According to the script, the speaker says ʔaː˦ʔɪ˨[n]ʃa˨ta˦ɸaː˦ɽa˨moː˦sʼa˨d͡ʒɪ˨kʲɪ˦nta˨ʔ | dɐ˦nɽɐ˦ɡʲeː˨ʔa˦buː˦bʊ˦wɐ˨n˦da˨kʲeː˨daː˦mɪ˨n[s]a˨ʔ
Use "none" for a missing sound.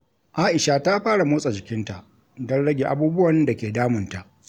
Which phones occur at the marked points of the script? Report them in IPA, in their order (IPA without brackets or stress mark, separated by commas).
none, t